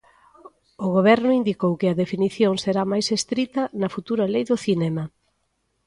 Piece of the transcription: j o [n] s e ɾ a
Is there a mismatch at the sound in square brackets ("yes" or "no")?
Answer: yes